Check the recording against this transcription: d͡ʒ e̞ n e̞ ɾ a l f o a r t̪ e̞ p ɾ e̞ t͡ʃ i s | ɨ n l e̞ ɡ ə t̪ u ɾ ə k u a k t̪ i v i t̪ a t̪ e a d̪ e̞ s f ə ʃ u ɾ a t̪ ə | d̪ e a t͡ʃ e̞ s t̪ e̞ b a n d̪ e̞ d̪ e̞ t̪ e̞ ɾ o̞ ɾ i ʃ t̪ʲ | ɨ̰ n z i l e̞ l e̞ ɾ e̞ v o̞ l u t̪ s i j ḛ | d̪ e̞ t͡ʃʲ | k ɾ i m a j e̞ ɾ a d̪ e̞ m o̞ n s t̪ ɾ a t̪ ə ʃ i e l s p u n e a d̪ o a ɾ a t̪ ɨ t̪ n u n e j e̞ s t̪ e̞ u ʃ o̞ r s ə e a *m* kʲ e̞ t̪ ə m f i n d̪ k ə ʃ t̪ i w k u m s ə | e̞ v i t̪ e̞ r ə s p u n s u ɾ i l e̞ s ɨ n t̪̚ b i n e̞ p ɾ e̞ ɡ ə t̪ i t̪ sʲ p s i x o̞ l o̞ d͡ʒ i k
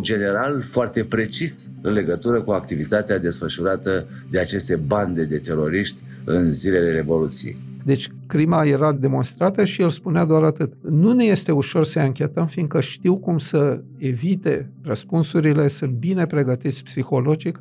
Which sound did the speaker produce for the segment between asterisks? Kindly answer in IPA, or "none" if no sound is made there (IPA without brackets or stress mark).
ŋ